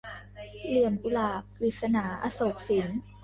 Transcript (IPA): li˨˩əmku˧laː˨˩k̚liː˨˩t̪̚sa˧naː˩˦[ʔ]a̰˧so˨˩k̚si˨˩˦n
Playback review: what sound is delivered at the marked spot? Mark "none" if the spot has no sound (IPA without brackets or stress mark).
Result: ʔ